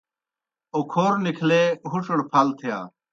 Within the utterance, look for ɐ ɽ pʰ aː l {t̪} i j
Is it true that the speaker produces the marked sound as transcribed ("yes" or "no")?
no